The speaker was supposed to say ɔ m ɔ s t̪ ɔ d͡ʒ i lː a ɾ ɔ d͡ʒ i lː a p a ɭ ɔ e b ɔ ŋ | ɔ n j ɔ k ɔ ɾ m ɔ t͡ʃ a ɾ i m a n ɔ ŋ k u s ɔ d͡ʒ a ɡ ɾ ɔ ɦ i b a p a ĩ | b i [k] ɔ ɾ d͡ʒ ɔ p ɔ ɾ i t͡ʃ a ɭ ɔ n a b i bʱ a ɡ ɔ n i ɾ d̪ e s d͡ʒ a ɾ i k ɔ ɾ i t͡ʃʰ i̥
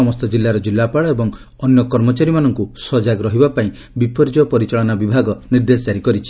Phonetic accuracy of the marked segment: incorrect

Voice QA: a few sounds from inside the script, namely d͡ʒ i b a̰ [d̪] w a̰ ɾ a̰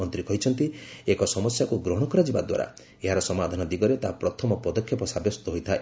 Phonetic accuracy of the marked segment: correct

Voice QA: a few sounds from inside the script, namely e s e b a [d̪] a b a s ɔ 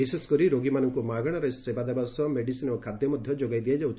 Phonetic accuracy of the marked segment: correct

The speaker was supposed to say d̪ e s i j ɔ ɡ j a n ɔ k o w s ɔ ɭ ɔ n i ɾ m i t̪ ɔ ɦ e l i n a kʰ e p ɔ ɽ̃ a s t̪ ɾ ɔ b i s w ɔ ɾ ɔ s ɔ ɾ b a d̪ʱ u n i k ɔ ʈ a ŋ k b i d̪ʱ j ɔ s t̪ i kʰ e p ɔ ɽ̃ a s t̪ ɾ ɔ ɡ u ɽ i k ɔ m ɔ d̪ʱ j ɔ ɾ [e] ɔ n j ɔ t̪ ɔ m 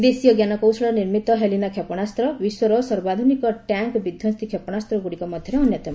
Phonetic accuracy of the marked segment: correct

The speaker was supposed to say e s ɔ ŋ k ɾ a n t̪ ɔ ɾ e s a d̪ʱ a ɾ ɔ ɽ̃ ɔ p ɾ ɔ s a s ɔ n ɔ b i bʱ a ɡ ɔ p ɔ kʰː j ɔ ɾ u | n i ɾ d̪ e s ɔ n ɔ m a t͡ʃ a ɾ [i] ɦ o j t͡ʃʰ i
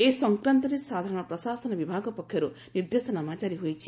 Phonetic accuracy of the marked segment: correct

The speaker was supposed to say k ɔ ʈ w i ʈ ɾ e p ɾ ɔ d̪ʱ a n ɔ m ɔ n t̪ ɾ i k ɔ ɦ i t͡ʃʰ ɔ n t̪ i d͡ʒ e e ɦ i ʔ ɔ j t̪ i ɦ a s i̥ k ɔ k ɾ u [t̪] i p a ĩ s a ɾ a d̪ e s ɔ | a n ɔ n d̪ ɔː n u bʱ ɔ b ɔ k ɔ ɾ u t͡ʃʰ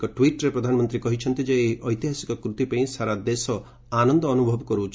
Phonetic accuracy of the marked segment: correct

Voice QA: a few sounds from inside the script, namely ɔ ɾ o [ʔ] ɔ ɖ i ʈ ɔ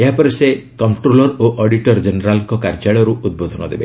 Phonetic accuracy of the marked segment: correct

